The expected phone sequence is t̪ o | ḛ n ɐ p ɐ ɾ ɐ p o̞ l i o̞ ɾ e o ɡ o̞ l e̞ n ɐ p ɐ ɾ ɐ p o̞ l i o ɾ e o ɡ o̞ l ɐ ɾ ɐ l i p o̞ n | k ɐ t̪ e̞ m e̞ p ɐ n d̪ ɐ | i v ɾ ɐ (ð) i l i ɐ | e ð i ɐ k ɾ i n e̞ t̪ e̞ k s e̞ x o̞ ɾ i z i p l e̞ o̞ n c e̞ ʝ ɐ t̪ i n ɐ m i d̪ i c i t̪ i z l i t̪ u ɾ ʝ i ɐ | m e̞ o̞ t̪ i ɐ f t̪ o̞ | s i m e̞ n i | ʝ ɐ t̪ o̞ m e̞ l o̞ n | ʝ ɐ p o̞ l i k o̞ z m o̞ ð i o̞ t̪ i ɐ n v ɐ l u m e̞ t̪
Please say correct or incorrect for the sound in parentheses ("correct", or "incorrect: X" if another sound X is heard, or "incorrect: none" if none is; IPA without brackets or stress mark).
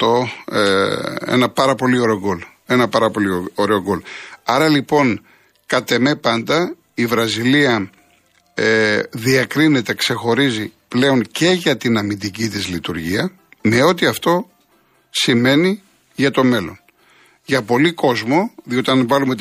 incorrect: z